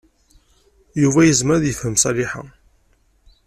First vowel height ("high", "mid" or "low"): high